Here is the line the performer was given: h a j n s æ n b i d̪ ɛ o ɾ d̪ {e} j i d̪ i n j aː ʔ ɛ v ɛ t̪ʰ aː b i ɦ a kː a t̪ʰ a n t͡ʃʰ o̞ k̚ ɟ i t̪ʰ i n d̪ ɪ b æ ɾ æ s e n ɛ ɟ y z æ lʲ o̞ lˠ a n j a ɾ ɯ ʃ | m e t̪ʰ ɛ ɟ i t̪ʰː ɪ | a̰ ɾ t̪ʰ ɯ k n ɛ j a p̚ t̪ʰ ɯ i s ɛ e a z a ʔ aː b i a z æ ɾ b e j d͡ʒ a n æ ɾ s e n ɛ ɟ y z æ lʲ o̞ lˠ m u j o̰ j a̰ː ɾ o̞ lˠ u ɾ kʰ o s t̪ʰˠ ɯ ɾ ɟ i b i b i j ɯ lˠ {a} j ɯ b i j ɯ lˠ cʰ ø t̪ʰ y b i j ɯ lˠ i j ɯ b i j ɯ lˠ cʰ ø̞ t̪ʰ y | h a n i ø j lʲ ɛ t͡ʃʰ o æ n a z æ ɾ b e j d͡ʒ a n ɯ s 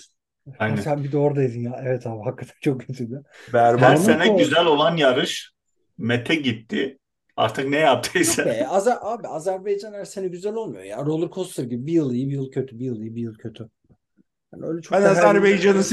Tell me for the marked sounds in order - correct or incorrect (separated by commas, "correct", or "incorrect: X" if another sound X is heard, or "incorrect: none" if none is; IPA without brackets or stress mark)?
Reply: incorrect: a, incorrect: i